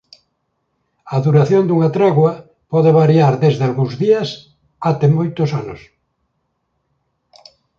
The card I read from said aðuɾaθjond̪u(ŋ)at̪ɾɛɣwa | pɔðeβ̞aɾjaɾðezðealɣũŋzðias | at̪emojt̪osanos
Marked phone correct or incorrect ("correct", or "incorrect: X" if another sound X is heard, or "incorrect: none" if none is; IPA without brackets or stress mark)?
correct